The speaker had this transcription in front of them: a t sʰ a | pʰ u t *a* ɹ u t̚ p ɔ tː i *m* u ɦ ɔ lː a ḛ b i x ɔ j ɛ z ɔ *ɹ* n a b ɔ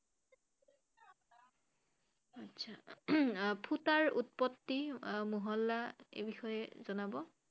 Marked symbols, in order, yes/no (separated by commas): yes, yes, no